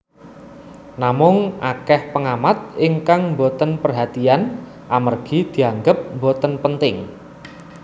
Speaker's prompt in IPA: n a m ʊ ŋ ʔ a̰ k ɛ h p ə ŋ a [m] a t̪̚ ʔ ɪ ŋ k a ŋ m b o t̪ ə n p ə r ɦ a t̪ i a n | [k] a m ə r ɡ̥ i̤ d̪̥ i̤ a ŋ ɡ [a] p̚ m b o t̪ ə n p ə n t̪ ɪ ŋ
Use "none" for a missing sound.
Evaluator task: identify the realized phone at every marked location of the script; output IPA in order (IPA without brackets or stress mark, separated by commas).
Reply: m, ʔ, ə